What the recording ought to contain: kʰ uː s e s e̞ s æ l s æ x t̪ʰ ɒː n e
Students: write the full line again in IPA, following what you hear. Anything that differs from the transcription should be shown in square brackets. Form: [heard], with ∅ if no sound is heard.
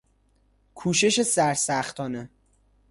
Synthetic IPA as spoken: kʰ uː [ʃ] e [ʃ] e̞ s æ [ɾ] s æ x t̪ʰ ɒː n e